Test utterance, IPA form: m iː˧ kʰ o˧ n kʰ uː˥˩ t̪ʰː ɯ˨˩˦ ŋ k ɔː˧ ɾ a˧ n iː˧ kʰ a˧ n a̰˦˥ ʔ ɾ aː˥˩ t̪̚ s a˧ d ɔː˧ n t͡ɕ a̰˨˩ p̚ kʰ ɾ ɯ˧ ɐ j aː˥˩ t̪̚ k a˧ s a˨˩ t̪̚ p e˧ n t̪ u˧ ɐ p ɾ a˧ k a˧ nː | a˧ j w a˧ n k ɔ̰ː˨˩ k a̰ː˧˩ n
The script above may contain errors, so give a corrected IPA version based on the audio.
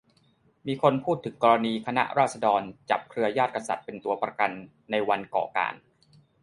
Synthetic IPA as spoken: m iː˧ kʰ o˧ n pʰ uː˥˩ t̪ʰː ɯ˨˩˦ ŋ k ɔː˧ ɾ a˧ n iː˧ kʰ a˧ n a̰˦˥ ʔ ɾ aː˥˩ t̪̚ s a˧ d ɔː˧ n t͡ɕ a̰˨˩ p̚ kʰ ɾ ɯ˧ ɐ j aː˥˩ t̪̚ k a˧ s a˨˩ t̪̚ p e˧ n t̪ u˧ ɐ p ɾ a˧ k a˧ nː | a˧ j w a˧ n k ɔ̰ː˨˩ k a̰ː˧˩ n